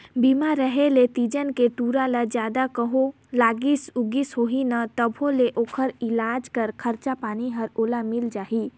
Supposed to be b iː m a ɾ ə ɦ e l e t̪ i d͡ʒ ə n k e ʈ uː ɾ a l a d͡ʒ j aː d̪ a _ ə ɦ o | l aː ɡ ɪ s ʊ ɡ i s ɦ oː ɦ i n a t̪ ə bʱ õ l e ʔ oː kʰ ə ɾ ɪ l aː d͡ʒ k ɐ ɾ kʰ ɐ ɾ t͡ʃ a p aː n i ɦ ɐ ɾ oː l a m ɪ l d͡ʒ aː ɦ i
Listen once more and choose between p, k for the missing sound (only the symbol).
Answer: k